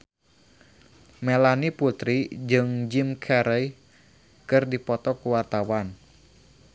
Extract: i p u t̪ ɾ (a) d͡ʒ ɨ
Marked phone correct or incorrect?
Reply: incorrect